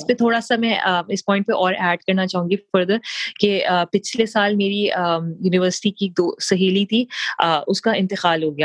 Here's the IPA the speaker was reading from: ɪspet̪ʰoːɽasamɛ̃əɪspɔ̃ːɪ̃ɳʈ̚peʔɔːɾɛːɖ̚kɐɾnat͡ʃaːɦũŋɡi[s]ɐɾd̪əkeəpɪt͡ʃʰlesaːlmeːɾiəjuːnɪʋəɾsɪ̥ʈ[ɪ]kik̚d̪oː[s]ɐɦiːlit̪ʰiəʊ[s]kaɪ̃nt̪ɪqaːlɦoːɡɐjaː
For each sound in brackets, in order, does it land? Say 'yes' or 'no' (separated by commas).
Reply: no, no, yes, yes